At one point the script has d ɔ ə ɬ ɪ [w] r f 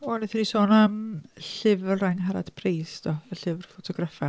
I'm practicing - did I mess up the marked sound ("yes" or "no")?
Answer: yes